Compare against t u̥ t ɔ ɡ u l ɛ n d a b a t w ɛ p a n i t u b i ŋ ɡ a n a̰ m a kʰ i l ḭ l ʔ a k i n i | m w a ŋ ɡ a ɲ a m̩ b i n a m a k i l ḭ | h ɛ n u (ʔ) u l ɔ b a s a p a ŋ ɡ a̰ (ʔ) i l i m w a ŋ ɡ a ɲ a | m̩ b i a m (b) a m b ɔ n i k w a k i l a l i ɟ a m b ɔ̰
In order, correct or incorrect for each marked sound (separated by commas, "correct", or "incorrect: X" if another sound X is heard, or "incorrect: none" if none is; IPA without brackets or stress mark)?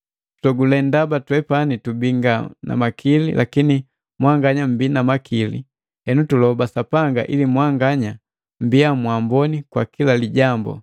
incorrect: t, correct, incorrect: w